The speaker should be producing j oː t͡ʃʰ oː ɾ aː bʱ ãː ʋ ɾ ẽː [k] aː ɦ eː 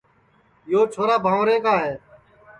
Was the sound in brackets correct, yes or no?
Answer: yes